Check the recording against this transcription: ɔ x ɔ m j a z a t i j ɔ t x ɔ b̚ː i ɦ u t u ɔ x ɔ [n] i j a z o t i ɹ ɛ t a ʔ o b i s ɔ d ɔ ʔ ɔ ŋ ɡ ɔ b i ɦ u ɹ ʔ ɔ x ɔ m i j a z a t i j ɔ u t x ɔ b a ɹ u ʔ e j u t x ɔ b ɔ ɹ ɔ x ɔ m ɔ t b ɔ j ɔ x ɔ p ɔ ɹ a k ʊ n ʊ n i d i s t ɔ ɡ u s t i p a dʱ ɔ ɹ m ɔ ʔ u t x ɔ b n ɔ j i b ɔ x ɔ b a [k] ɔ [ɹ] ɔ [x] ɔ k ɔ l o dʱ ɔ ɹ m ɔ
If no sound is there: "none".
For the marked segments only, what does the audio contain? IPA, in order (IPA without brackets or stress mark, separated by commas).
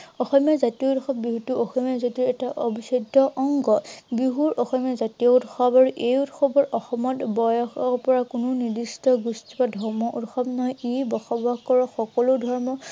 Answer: m, k, ɹ, x